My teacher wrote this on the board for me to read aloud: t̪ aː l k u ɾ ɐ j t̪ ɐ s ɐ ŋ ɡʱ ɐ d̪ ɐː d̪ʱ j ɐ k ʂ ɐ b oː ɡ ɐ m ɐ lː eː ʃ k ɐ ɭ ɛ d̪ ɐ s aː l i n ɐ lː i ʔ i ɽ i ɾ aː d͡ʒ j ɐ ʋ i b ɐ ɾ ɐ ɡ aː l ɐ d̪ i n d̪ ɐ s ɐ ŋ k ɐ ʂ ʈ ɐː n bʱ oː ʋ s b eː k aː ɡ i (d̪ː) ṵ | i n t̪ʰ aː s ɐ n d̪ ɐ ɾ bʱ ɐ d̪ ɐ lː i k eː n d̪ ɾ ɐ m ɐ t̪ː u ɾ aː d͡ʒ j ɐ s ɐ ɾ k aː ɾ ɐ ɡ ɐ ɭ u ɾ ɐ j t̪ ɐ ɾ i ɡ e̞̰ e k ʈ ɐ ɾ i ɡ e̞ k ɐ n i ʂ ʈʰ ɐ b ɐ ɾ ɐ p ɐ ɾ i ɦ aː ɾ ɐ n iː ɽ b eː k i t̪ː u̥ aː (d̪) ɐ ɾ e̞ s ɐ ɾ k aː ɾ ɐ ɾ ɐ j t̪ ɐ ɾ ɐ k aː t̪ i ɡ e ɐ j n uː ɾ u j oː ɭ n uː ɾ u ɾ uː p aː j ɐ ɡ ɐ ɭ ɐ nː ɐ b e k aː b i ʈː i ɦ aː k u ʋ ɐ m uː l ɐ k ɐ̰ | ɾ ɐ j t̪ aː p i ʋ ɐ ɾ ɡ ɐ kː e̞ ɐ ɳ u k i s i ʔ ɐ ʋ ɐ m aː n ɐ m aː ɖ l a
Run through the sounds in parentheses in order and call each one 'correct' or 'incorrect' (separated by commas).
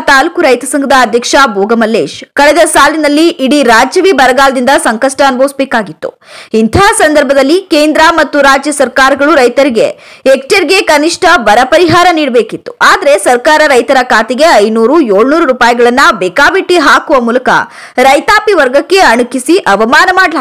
incorrect, correct